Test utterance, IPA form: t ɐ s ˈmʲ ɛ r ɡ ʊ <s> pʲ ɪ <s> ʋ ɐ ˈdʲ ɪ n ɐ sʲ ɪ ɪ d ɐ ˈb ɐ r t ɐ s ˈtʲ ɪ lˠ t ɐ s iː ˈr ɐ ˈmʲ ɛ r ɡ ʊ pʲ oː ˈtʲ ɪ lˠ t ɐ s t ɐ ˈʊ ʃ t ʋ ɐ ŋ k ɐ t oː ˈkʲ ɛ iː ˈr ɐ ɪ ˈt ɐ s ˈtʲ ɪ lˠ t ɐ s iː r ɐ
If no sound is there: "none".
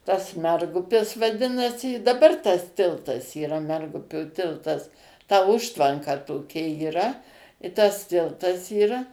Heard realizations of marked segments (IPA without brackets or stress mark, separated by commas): none, s